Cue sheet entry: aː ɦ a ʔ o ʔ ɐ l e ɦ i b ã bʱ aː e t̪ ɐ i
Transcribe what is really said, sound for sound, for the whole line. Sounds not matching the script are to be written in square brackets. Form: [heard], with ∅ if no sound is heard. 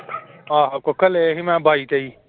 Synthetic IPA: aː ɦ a [k] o [k] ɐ l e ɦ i [m] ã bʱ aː [i] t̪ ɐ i